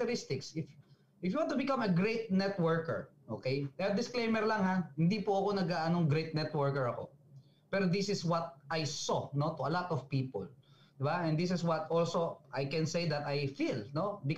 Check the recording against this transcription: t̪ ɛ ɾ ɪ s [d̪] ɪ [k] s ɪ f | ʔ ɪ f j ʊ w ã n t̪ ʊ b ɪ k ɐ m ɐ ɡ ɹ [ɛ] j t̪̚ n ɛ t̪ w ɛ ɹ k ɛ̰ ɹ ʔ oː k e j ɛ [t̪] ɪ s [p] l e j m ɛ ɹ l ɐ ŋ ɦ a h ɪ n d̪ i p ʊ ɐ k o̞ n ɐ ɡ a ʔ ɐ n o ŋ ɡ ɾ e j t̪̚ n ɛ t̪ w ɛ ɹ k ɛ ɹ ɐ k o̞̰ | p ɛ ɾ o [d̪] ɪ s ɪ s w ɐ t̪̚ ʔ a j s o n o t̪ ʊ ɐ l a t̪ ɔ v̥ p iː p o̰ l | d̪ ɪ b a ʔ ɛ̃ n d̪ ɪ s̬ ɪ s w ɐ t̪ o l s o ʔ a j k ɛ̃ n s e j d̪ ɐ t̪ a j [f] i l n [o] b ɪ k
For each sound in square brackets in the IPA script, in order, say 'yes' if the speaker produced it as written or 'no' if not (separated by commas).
no, yes, no, no, no, yes, yes, yes